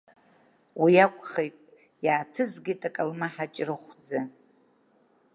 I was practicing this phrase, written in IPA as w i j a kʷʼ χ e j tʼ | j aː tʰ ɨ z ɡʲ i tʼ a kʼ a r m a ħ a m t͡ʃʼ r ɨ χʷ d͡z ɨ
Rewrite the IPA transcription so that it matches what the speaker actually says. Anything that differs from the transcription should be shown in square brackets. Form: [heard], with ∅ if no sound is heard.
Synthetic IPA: w i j a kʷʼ χ e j tʼ | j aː tʰ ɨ z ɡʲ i tʼ a kʼ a [l] m a ħ a [∅] t͡ʃʼ r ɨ χʷ d͡z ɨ

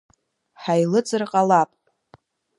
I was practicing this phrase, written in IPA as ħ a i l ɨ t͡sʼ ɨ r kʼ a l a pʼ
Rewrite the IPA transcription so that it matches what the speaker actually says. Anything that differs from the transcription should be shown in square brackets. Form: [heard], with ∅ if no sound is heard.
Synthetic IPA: ħ a [j] l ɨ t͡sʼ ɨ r [qʼ] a l a pʼ

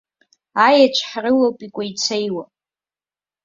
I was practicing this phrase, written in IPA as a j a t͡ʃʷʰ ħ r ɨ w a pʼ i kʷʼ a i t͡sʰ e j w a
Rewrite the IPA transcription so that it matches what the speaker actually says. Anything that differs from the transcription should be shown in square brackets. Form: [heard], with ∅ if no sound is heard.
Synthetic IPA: a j a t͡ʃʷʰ ħ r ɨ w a pʼ i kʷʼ a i t͡sʰ e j w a

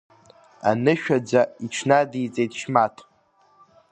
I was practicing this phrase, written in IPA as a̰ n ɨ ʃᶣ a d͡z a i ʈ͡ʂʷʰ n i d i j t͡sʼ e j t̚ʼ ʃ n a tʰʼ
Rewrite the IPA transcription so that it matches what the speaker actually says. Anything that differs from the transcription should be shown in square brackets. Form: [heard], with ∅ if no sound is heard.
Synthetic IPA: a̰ n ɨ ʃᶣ a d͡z a i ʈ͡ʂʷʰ n [a] d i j t͡sʼ e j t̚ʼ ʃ [m] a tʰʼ

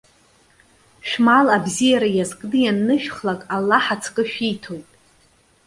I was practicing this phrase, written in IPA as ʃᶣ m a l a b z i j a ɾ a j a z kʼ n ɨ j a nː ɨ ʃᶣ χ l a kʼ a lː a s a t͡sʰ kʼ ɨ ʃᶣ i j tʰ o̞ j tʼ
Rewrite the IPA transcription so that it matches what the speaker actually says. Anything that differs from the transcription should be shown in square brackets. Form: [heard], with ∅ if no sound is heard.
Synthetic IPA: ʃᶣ m a l a b z i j a ɾ a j a z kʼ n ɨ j a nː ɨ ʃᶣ χ l a kʼ a lː a [ħ] a t͡sʰ kʼ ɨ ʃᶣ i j tʰ o̞ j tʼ

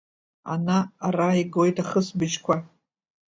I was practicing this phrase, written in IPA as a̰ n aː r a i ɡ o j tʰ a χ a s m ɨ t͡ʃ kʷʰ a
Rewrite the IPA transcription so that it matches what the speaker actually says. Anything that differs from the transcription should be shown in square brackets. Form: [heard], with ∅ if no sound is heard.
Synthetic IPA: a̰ n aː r a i ɡ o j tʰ a χ [ə] s [b] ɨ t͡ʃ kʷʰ a

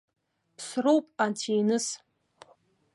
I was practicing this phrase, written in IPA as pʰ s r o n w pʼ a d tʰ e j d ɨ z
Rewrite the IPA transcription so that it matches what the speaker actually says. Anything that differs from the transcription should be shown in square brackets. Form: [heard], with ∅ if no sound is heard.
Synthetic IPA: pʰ s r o [∅] w pʼ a [n] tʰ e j [n] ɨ [s]

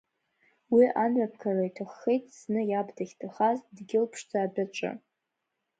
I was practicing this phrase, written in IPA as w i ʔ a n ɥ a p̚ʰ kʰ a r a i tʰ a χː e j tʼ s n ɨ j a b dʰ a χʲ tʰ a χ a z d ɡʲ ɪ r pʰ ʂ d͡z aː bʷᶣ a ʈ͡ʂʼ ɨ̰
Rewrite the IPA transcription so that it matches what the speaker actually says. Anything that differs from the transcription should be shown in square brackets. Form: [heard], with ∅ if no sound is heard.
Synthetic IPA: w i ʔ a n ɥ a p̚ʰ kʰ a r a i tʰ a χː e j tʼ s n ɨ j a b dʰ a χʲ tʰ a χ a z d ɡʲ ɪ [l] pʰ ʂ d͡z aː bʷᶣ a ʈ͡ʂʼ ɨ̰

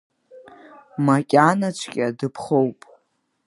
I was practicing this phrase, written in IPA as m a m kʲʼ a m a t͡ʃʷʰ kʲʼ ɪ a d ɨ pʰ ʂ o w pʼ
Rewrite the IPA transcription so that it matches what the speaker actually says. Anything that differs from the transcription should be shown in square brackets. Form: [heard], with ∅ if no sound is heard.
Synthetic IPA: m a [∅] kʲʼ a [n] a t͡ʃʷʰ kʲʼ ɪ a d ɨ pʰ [χ] o w pʼ

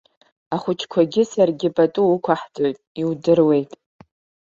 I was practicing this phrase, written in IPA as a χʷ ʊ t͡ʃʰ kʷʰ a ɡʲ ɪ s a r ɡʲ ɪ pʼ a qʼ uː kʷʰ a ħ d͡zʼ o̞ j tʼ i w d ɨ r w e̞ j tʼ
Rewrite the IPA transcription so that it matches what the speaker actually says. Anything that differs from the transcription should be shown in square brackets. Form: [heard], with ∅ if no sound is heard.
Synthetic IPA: a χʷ ʊ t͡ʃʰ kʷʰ a ɡʲ ɪ s a r ɡʲ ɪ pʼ a [tʼ] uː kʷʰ a ħ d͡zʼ o̞ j tʼ i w d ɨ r w e̞ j tʼ

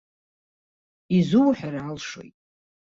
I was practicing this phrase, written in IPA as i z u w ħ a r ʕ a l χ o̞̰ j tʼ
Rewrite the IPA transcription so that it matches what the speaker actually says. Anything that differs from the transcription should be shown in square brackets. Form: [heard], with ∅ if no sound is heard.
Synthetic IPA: i z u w ħ a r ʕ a l [ʂ] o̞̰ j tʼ

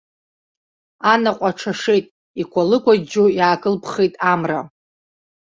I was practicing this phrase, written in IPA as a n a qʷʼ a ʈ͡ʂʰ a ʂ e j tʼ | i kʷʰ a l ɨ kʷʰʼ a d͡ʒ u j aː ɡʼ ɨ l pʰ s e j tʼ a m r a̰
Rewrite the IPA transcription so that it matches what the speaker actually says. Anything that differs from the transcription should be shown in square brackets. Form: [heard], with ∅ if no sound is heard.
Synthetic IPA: a n a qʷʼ a ʈ͡ʂʰ a ʂ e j tʼ | i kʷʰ a l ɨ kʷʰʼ a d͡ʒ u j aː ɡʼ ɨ l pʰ [χ] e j tʼ a m r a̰

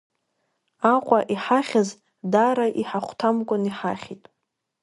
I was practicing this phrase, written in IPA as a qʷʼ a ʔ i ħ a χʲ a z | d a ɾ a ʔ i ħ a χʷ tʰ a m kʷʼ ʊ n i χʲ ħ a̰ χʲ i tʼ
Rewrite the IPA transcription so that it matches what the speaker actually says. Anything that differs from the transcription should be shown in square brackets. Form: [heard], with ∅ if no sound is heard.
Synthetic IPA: a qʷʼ a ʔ i ħ a χʲ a z | d a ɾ a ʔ i ħ a χʷ tʰ a m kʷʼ ʊ n i [∅] ħ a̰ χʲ i tʼ

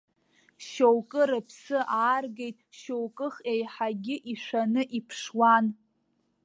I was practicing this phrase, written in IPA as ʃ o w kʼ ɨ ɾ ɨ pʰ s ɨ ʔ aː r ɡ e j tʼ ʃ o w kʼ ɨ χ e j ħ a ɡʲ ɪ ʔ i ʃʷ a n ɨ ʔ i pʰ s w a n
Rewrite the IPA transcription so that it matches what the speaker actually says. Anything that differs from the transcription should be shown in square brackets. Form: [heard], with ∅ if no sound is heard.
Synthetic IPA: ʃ o w kʼ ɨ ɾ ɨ pʰ s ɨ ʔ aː r ɡ e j tʼ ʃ o w kʼ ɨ χ e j ħ a ɡʲ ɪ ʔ i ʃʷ a n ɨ ʔ i pʰ [ʂ] w a n

